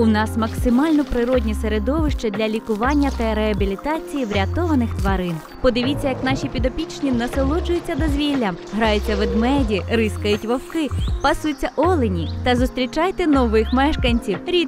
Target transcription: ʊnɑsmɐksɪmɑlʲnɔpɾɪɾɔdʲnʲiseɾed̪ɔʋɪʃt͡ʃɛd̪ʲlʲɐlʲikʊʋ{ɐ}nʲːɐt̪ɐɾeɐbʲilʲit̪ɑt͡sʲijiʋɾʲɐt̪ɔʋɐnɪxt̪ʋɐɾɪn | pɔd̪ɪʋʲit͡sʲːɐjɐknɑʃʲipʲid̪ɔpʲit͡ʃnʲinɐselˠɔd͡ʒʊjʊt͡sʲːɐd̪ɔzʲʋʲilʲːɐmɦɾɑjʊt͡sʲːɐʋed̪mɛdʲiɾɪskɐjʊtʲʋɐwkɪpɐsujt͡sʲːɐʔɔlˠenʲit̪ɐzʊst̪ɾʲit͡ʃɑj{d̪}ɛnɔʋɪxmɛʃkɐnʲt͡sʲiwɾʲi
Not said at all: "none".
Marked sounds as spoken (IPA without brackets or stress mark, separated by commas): ɑ, t̪